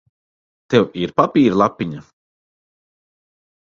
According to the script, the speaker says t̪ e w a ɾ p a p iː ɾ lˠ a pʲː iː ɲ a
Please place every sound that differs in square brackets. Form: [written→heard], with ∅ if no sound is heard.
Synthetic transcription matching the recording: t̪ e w [a→i] ɾ p a p iː ɾ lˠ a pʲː [iː→i] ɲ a